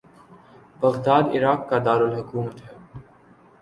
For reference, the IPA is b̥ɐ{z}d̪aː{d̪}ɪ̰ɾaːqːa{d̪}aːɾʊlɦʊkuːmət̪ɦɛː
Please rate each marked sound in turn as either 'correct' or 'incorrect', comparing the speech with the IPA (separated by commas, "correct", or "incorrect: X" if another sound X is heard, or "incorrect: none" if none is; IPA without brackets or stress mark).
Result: incorrect: ɣ, correct, correct